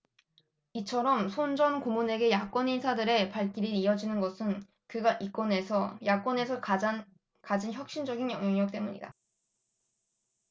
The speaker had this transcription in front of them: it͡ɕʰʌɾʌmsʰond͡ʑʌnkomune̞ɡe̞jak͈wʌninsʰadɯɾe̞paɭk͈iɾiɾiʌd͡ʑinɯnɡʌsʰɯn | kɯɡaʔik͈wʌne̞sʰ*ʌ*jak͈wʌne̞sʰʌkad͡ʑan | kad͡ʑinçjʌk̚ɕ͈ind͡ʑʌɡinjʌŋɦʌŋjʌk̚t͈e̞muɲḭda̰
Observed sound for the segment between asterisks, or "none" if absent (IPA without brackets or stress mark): ʌ